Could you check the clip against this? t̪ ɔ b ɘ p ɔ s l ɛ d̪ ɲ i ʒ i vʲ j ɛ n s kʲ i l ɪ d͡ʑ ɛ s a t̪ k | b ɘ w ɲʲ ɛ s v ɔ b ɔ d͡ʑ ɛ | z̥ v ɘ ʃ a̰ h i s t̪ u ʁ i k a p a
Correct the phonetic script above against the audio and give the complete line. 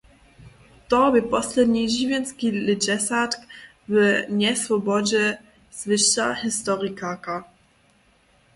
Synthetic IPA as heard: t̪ ɔ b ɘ p ɔ s l ɛ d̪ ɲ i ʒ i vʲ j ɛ n s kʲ i l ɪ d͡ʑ ɛ s a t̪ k | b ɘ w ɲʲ ɛ s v ɔ b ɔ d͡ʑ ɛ | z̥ v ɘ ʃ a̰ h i s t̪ ɔ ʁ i k a k a